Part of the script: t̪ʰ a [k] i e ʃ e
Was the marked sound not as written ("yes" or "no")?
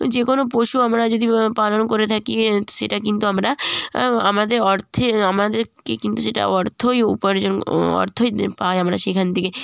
no